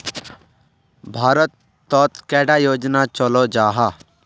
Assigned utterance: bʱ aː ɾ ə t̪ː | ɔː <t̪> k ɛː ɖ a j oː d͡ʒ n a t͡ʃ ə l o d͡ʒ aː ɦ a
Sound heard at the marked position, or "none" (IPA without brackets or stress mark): t̪